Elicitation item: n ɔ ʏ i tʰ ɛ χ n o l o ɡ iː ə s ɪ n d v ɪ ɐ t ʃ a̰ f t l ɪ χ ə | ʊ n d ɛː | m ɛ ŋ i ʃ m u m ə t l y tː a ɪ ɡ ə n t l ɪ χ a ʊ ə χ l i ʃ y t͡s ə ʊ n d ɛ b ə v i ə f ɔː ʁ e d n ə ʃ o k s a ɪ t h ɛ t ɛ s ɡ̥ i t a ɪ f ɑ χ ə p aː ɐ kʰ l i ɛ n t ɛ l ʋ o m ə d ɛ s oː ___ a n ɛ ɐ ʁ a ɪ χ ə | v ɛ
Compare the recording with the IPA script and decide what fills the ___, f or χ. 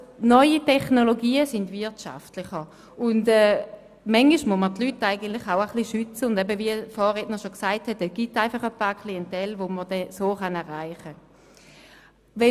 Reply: χ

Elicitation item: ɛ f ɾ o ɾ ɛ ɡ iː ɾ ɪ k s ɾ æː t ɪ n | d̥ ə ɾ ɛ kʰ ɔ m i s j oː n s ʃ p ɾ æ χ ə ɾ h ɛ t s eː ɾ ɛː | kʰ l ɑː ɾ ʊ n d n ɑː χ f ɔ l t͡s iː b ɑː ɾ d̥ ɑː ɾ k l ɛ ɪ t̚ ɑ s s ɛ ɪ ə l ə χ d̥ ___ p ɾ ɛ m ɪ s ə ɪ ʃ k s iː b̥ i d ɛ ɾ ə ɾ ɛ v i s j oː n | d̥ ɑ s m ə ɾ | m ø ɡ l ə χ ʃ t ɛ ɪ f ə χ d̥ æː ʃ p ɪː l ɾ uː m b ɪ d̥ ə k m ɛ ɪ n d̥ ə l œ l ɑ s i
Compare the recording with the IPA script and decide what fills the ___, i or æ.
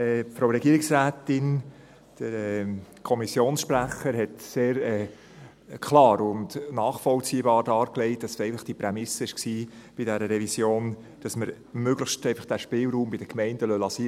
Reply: i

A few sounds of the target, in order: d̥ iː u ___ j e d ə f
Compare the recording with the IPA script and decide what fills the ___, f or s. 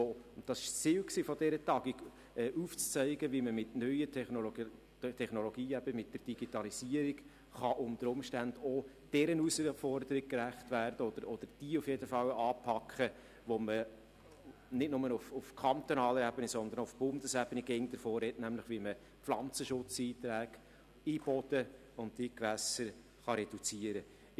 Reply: f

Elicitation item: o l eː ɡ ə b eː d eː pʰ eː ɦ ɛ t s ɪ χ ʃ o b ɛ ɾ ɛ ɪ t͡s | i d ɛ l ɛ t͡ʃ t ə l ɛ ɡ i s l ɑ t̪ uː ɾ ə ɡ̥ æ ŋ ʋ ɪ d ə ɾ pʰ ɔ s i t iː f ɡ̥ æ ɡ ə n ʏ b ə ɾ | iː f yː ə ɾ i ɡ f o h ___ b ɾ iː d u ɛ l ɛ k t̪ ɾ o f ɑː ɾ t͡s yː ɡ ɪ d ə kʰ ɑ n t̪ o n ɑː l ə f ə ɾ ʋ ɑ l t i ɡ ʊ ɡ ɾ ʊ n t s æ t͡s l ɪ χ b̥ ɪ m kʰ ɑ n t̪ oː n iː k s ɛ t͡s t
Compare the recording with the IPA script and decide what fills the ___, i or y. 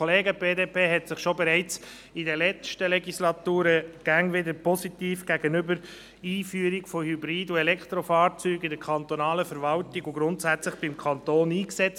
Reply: y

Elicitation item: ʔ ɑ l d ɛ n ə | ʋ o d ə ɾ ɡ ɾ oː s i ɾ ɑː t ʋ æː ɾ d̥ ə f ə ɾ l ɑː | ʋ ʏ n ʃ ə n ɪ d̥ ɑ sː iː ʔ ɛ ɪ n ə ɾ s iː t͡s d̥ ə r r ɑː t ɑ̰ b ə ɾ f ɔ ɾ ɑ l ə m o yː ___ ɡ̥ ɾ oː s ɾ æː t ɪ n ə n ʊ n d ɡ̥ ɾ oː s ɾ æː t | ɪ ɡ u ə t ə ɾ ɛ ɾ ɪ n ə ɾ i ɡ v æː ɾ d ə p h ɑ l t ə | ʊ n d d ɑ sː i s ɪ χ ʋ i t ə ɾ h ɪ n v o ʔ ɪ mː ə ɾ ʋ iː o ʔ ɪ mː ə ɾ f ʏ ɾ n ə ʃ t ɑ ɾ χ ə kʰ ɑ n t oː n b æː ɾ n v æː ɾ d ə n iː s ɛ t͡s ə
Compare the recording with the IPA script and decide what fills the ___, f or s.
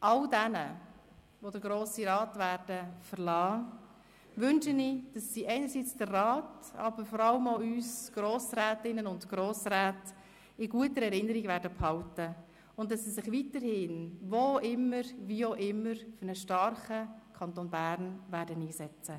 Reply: s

